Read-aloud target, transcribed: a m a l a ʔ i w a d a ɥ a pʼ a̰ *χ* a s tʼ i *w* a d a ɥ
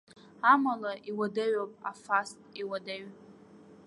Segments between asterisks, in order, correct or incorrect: incorrect: f, correct

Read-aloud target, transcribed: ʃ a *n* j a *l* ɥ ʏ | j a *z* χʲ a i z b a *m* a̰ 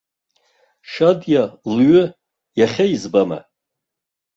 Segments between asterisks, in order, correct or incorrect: incorrect: d, correct, incorrect: none, correct

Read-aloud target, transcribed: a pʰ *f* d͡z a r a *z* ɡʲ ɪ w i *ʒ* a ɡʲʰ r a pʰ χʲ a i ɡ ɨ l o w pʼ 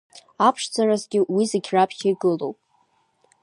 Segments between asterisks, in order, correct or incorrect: incorrect: ʂ, correct, incorrect: z

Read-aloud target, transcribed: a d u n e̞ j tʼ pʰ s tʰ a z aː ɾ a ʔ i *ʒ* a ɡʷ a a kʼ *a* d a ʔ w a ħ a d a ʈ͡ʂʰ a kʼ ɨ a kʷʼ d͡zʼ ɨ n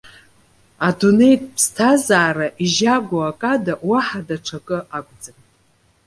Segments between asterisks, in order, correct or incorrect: correct, correct

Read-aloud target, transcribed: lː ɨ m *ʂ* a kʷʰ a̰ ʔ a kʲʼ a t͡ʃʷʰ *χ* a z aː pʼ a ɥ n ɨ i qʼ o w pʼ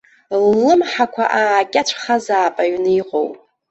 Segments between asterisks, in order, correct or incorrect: incorrect: ħ, correct

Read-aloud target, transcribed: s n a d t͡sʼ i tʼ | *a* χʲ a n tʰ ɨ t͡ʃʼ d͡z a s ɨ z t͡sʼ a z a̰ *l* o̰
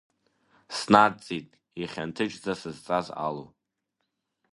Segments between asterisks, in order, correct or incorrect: incorrect: i, correct

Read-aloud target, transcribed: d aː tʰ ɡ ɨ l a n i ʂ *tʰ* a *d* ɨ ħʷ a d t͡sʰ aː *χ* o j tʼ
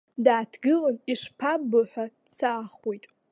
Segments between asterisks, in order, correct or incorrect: incorrect: pʰ, incorrect: b, correct

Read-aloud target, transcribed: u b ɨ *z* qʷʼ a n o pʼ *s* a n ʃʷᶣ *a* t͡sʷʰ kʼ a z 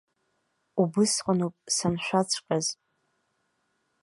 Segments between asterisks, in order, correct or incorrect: incorrect: s, correct, correct

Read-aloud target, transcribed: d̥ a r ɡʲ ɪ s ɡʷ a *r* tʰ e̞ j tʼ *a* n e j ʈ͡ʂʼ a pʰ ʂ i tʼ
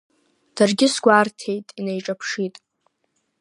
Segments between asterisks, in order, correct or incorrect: correct, incorrect: i

